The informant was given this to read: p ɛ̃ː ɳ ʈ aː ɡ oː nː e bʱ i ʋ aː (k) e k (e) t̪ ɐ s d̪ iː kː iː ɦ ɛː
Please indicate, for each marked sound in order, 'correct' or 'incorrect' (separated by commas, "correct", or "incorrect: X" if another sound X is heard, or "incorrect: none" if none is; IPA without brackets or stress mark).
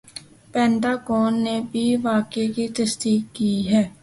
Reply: correct, incorrect: i